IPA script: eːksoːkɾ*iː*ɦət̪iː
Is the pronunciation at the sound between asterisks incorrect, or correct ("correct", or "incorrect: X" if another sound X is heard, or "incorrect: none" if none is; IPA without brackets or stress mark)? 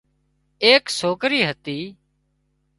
correct